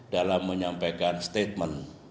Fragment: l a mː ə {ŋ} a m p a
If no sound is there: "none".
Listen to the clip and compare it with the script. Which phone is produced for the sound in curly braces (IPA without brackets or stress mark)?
ɲ